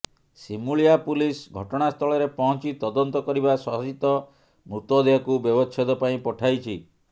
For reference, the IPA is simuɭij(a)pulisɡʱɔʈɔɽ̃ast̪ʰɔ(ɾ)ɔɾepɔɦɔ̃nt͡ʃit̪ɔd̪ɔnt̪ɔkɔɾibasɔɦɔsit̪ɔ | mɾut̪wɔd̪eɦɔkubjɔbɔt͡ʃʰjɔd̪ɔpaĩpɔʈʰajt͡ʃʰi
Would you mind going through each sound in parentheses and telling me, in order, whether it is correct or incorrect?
correct, incorrect: ɭ

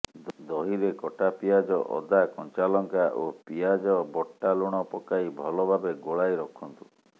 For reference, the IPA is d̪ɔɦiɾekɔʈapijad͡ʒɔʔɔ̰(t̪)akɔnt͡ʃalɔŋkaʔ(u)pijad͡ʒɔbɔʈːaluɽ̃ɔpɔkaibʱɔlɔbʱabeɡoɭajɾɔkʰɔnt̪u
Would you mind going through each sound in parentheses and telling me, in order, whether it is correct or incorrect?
incorrect: d̪, incorrect: o

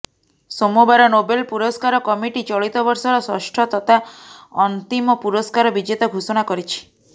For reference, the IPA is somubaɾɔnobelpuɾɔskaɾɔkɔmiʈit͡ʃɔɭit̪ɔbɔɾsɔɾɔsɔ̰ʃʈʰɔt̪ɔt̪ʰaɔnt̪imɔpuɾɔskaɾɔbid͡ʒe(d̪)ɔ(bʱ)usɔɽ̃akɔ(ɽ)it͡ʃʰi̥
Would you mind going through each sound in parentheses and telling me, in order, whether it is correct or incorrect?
incorrect: t̪, incorrect: ɡʱ, incorrect: ɾ

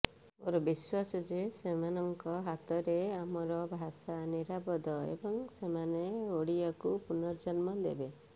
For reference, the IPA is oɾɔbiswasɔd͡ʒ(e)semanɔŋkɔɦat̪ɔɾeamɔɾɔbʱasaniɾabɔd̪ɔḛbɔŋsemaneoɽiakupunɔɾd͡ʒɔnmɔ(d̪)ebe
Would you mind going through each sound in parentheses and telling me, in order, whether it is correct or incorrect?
correct, correct

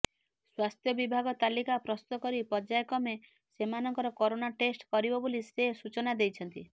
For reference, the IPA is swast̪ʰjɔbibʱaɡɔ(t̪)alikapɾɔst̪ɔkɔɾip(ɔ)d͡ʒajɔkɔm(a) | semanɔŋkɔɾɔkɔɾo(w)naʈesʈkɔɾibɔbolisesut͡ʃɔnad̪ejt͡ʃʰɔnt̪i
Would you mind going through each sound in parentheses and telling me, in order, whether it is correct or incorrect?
correct, correct, incorrect: e, incorrect: none

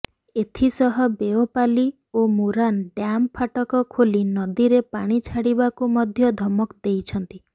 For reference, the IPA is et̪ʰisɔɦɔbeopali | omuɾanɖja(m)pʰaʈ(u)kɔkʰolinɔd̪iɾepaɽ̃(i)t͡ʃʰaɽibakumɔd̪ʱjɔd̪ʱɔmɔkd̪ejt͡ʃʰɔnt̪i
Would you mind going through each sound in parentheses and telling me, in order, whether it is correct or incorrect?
correct, incorrect: ɔ, correct

